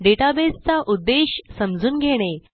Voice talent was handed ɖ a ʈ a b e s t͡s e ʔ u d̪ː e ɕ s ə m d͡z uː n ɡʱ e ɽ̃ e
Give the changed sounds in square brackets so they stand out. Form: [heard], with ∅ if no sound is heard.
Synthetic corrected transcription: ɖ [e] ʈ a b e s t͡s [a] ʔ u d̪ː e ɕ s ə m d͡z uː n ɡʱ e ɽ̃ e